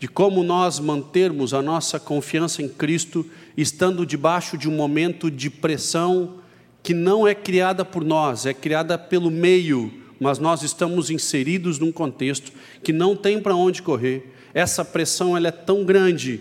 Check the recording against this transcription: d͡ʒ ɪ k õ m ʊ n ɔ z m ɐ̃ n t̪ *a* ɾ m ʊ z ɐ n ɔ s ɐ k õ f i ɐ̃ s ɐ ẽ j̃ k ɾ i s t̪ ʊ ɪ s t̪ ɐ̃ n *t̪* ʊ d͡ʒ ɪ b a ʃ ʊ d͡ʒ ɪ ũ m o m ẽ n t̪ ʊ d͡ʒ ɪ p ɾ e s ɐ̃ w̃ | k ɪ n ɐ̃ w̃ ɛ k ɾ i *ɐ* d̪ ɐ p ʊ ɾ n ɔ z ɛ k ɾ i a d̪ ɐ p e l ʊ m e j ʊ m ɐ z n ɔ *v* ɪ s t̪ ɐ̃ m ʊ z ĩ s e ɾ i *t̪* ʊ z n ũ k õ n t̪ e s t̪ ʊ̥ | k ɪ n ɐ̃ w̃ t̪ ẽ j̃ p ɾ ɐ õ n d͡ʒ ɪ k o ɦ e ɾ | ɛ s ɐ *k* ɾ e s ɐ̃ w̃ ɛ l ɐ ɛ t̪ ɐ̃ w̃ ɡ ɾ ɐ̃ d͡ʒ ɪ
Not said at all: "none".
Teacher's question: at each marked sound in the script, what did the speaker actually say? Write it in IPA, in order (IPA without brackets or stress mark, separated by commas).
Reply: e, d̪, a, z, d̪, p